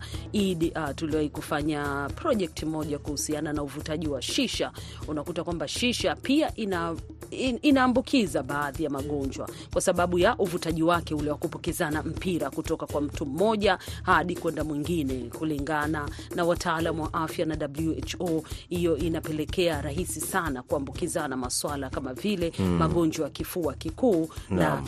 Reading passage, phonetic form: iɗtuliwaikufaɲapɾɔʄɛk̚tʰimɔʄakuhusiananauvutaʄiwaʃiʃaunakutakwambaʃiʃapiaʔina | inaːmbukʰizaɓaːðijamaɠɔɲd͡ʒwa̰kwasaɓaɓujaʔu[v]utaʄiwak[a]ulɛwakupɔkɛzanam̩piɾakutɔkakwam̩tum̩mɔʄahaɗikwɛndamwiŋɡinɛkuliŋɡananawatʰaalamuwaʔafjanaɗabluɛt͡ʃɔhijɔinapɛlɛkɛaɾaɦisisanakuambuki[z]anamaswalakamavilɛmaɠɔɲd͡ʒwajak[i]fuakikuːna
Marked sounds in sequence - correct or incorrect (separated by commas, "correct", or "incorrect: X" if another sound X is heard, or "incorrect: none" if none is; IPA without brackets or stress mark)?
correct, incorrect: ɛ, correct, correct